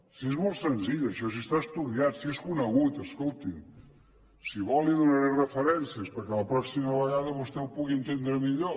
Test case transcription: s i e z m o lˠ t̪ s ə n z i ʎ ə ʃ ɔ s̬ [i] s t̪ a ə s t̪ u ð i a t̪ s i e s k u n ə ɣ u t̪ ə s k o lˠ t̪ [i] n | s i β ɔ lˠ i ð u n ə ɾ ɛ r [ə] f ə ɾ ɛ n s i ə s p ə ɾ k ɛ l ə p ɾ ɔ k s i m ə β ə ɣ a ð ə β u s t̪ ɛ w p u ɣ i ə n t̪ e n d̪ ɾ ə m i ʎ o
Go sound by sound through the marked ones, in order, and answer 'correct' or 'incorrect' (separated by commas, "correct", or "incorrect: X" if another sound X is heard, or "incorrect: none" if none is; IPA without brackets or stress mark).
correct, correct, correct